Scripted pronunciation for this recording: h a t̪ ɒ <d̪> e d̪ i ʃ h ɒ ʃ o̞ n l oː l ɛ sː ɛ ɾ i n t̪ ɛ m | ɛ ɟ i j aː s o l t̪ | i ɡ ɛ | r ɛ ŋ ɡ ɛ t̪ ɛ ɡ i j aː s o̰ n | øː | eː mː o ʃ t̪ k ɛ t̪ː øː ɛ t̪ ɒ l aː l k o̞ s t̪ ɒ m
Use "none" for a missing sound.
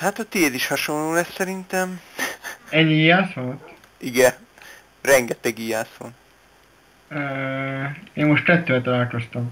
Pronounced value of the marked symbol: t̪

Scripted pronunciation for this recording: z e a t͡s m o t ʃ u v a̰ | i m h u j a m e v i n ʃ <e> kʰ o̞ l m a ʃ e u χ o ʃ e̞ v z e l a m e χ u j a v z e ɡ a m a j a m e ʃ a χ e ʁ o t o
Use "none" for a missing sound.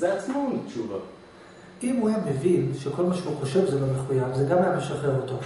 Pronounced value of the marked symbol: e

